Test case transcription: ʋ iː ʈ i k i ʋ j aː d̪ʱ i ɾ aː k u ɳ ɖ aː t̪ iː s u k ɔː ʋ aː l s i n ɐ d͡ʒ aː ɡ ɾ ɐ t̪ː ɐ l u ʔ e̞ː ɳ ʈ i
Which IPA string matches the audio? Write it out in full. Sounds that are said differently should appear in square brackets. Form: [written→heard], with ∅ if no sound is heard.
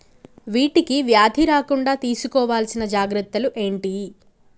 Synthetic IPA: ʋ iː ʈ i k i ʋ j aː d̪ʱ i ɾ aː k u ɳ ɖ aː t̪ iː s u k ɔː ʋ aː l s i n ɐ d͡ʒ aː ɡ ɾ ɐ t̪ː ɐ l u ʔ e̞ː ɳ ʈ i